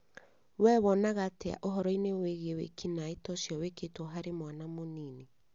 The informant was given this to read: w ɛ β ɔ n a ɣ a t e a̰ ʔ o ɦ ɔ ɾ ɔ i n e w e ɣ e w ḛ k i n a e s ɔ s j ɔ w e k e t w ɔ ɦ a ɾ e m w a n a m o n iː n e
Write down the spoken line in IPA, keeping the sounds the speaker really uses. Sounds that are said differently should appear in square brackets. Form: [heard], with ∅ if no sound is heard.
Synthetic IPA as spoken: w ɛ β ɔ n a ɣ a t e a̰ ʔ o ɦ ɔ ɾ ɔ i n e w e ɣ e w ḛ k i n a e [t] ɔ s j ɔ w e k e t w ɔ ɦ a ɾ e m w a n a m o n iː n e